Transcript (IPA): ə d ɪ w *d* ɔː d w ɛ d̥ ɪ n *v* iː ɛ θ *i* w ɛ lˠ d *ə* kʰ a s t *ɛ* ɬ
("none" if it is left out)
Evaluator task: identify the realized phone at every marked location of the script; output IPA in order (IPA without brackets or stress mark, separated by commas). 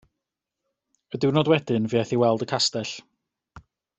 n, v, i, ə, ɛ